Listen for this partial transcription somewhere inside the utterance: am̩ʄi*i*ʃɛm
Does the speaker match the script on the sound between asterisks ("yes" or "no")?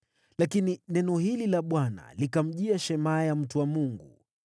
no